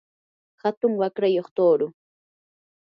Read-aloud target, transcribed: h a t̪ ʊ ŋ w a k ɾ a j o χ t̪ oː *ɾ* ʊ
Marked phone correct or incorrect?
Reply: correct